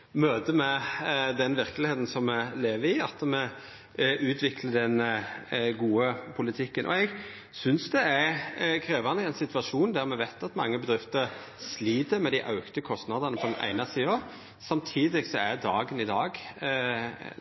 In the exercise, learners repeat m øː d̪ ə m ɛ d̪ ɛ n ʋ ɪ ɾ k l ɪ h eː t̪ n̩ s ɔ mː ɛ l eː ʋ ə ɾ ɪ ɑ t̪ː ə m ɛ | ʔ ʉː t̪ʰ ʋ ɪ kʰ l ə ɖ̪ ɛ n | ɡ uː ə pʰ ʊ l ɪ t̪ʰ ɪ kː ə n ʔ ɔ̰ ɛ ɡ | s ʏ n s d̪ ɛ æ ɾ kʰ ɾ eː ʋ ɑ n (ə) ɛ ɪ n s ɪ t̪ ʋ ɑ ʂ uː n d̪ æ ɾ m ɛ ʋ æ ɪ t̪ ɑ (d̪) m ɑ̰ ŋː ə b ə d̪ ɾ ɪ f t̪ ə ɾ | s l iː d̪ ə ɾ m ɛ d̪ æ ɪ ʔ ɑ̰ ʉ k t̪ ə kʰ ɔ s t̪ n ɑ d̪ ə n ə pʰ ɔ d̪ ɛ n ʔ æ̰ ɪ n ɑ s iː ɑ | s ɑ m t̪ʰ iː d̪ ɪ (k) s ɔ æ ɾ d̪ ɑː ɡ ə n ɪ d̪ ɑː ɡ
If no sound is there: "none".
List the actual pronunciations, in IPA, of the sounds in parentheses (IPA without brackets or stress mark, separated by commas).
ə, t̪, ɡ